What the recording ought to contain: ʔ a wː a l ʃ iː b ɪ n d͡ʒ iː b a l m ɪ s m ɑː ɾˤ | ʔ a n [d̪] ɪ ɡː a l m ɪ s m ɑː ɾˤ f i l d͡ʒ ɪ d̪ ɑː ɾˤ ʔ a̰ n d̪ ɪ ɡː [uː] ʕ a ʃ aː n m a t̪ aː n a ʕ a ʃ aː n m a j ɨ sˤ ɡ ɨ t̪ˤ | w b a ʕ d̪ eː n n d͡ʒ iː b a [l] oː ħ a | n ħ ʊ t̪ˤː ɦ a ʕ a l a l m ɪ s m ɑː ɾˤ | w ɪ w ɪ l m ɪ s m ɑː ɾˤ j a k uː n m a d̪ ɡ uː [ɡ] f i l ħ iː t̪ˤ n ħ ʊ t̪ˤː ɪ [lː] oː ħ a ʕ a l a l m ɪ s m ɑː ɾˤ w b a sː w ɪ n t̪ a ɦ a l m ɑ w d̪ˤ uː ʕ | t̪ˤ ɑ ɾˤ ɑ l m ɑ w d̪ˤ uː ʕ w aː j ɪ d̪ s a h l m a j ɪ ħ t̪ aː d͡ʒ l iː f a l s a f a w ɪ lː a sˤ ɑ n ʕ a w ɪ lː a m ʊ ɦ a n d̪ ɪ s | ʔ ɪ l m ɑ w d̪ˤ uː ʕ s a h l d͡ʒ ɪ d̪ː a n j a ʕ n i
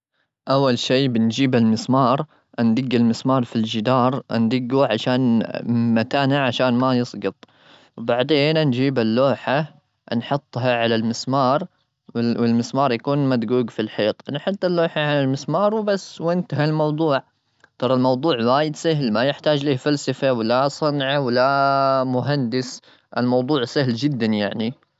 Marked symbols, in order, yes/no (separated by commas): yes, no, no, yes, yes